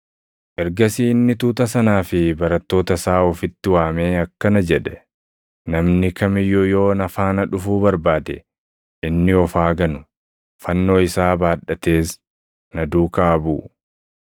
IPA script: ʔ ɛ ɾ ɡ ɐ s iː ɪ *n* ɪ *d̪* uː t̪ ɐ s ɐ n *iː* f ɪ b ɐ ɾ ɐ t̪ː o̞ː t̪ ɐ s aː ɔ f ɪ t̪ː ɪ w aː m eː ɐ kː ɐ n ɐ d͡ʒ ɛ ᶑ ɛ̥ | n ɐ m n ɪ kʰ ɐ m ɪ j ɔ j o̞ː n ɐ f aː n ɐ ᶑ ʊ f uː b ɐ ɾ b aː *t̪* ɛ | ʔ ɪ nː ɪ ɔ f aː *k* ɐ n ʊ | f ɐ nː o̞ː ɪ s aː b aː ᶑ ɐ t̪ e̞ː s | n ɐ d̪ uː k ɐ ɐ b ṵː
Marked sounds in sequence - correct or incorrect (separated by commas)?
incorrect, incorrect, incorrect, incorrect, incorrect